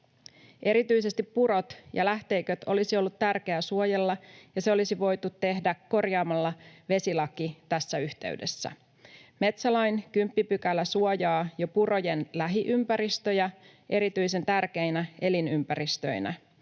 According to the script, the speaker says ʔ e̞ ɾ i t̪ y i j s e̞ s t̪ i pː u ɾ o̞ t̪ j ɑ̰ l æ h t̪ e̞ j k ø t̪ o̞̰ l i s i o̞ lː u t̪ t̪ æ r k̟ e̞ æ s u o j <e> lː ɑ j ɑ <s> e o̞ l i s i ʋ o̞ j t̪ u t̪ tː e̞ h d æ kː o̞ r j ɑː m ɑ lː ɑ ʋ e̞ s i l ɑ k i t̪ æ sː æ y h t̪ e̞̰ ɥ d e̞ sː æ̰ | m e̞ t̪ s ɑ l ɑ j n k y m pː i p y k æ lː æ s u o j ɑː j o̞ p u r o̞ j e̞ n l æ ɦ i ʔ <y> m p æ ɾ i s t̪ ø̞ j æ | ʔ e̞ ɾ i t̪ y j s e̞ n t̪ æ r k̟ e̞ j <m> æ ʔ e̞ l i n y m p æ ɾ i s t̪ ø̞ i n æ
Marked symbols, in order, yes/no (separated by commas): yes, yes, yes, no